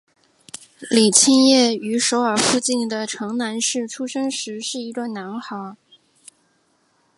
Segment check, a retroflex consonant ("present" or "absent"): present